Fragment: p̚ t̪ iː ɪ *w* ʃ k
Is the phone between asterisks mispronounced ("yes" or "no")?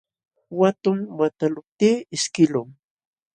yes